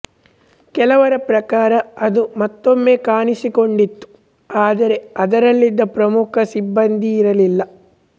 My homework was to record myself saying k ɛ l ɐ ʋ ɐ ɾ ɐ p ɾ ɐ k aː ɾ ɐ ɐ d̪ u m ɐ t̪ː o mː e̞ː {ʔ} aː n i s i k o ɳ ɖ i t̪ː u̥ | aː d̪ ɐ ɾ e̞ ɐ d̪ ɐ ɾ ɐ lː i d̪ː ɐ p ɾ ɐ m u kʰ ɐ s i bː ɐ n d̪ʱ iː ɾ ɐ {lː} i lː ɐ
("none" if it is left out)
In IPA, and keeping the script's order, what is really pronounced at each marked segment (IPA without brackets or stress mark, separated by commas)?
k, l